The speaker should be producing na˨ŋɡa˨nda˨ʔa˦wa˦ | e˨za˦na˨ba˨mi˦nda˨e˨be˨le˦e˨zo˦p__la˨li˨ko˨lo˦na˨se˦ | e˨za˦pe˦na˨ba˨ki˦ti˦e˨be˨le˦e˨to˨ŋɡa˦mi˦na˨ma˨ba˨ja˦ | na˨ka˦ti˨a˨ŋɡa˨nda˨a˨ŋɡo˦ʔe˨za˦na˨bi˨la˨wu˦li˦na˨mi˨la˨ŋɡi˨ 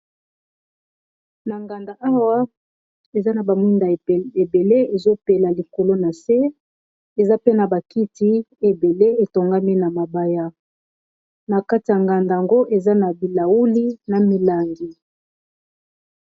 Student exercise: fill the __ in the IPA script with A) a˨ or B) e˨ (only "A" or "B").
B